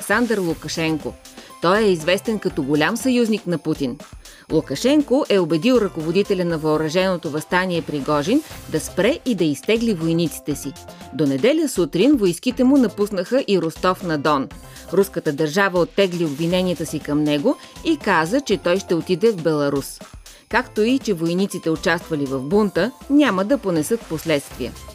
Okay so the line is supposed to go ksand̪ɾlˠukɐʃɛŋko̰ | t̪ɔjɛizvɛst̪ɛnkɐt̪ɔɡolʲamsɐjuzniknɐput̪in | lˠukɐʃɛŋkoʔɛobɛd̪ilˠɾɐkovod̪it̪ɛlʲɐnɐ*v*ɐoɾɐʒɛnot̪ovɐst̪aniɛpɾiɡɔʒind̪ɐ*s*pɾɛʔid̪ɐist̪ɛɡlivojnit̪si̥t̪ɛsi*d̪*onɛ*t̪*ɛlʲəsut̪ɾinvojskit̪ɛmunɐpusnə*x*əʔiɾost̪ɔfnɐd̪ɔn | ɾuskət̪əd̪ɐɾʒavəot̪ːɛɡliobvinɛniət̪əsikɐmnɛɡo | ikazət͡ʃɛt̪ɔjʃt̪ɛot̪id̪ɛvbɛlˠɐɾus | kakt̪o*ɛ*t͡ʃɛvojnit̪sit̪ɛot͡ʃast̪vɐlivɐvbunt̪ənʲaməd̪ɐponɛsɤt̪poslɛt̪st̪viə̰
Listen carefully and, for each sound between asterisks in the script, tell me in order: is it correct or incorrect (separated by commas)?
correct, correct, correct, incorrect, correct, incorrect